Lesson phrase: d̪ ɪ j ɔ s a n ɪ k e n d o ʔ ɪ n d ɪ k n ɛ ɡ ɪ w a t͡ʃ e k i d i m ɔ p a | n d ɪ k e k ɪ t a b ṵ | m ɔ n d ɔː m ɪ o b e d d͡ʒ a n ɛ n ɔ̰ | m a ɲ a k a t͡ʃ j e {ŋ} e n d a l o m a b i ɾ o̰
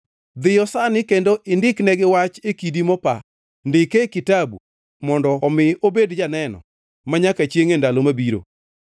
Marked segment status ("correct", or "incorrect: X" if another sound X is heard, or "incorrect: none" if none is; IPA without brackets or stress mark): correct